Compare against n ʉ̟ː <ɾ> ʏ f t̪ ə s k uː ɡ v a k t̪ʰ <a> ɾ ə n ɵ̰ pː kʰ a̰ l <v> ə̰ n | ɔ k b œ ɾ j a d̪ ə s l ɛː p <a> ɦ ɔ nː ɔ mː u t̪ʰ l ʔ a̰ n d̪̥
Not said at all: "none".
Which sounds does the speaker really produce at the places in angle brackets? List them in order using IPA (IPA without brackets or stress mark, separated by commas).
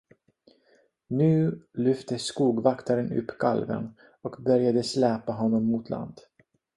l, a, v, a